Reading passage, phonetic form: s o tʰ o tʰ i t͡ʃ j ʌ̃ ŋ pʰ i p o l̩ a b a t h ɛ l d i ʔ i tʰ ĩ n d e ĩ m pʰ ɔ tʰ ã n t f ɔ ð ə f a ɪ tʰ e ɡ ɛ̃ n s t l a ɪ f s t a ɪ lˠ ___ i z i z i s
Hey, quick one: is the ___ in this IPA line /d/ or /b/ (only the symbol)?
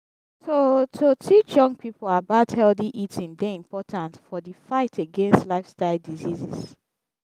d